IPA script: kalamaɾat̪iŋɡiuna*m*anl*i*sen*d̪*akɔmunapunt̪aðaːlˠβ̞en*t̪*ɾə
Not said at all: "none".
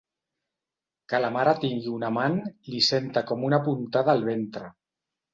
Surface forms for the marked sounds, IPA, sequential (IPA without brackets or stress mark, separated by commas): m, i, t̪, t̪